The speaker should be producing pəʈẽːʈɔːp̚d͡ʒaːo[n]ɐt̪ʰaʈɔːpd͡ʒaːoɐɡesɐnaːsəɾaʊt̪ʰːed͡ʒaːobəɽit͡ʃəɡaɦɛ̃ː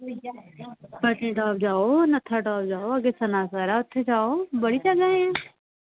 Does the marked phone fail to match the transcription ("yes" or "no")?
no